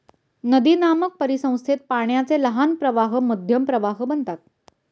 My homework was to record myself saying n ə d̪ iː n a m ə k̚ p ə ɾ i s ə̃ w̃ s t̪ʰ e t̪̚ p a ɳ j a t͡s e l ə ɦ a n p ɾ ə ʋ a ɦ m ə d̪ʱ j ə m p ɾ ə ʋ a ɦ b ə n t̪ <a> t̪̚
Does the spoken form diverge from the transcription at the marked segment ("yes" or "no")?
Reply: no